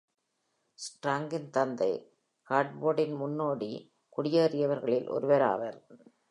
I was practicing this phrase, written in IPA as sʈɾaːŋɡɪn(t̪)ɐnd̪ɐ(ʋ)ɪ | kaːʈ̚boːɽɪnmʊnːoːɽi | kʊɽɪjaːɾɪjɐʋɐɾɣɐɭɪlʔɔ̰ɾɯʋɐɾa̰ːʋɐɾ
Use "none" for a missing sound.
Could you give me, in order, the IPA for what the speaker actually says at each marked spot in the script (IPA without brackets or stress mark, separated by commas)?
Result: t̪, none